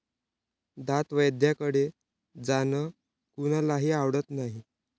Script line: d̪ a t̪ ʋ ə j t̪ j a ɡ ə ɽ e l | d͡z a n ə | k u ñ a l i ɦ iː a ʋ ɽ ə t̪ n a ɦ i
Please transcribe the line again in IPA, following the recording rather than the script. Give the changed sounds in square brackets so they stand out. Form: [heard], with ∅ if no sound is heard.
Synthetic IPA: d̪ a t̪ ʋ ə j [d̪] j a [k] ə ɽ e [∅] | d͡z a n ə | k u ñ a l [a] ɦ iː a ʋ ɽ ə t̪ n a ɦ i